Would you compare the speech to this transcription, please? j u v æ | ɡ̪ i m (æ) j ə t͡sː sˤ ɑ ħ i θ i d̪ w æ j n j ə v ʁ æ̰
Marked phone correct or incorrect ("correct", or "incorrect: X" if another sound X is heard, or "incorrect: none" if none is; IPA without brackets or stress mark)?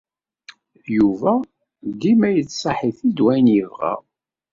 correct